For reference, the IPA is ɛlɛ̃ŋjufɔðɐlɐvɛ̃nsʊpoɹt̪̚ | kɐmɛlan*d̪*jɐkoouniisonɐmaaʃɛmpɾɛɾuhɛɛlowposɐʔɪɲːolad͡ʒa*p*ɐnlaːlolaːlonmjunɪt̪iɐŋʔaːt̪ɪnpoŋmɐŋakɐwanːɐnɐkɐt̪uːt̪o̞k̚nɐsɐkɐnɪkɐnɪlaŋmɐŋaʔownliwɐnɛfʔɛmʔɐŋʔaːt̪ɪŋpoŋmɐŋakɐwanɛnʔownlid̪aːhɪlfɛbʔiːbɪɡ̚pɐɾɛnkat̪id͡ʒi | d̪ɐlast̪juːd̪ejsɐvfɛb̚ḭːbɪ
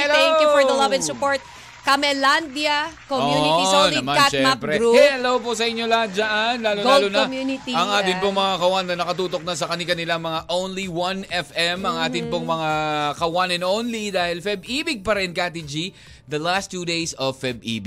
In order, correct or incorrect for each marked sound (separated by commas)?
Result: correct, incorrect